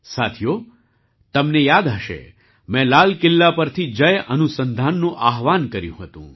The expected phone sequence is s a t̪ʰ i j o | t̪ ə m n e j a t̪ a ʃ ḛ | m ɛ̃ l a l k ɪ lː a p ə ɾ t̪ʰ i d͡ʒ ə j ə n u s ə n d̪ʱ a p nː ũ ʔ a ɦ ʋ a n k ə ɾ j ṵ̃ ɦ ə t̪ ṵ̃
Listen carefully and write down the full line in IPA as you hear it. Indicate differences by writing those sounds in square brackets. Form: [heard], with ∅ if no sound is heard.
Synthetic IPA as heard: s a t̪ʰ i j o | t̪ ə m n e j a [d̪] a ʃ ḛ | m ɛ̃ l a l k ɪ lː a p ə ɾ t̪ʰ i d͡ʒ ə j ə n u s ə n d̪ʱ a [∅] nː ũ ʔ a ɦ ʋ a n k ə ɾ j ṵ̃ ɦ ə t̪ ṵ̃